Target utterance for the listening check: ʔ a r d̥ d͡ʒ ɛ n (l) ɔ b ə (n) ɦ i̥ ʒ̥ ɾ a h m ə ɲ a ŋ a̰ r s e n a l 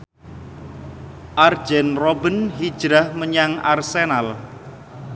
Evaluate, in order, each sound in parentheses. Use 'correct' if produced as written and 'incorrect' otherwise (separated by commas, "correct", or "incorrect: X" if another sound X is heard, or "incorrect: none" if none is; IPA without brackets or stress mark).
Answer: incorrect: r, correct